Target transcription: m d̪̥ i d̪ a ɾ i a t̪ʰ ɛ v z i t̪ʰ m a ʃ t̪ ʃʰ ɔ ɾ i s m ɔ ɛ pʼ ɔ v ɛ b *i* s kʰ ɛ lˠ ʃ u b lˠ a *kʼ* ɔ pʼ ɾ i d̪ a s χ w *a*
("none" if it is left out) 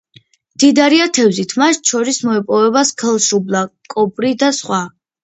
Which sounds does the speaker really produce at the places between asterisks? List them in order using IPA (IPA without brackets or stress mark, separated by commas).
a, kʼ, a